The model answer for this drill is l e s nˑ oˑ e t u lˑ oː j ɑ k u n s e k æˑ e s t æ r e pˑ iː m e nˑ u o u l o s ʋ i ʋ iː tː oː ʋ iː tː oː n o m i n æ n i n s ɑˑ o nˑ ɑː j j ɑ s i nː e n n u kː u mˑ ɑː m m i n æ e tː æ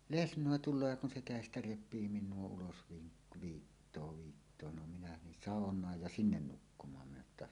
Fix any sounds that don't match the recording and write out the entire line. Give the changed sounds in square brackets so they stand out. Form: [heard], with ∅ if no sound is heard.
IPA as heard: l e s nˑ oˑ e t u lˑ oː j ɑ k u n s e k æˑ e s t æ r e pˑ iː m [i] nˑ u o u l o s ʋ [iː] ʋ iː tː oː ʋ iː tː oː n o m i n æ n i n s ɑˑ o nˑ ɑː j j ɑ s i nː e n n u kː u mˑ ɑː m m i n æ e tː æ